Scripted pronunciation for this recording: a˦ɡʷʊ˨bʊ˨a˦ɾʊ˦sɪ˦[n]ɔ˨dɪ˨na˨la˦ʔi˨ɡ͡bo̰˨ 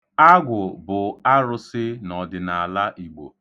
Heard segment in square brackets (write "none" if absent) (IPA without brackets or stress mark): n